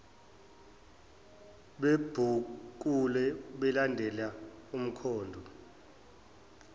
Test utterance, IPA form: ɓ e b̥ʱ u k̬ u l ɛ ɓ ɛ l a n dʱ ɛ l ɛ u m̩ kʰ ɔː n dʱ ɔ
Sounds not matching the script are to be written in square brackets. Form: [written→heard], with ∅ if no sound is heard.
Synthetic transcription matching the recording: ɓ e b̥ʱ u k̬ u l ɛ ɓ ɛ l a n dʱ ɛ l [ɛ→a] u m̩ kʰ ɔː n dʱ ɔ

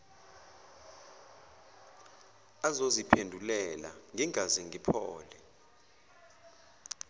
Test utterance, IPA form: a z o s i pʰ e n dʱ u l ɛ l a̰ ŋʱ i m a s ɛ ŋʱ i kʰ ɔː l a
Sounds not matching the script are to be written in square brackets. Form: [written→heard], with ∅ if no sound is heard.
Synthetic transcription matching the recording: a z o [s→z] i pʰ e n dʱ u l ɛ l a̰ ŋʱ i [m→ŋ] a [s→z] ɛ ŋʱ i [kʰ→pʰ] ɔː l [a→ɛ]

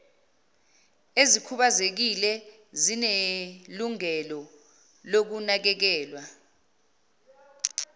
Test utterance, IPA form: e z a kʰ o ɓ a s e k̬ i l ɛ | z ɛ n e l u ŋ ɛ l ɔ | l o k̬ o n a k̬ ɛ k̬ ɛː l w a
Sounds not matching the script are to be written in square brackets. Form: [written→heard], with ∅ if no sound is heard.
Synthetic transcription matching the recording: e z [a→i] kʰ [o→u] ɓ a [s→z] e k̬ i l ɛ | z [ɛ→i] n e l u ŋ ɛ l ɔ | l o k̬ [o→u] n a k̬ ɛ k̬ ɛː l w a

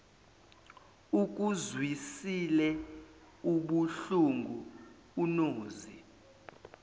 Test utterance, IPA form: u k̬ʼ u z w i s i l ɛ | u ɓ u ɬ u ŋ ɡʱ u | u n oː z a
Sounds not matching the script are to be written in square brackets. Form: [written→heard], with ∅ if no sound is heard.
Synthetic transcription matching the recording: u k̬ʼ u z w i s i l ɛ | u ɓ u ɬ u ŋ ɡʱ u | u n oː z [a→i]

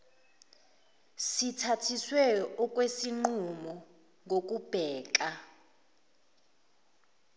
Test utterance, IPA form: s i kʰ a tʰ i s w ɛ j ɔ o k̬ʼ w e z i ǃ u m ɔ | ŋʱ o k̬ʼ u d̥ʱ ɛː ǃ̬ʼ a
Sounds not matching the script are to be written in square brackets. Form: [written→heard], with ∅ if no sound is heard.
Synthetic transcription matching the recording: s i [kʰ→tʰ] a tʰ i s w ɛ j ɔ [o→ɔ] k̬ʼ w e [z→s] i [ǃ→ŋ͡ǃ] u m ɔ | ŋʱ o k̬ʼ u [d̥ʱ→b̥ʱ] ɛː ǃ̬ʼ a

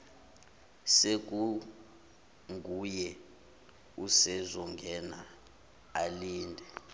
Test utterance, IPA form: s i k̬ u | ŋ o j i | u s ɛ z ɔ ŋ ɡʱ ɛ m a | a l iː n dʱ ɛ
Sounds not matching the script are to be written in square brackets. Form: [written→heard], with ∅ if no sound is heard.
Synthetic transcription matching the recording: s [i→e] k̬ u | ŋ [o→u] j [i→ɛ] | u s ɛ z ɔ ŋ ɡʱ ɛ [m→n] a | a l iː n dʱ ɛ

